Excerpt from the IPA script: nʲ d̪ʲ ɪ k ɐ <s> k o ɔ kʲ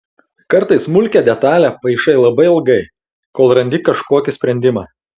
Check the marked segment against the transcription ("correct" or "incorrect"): incorrect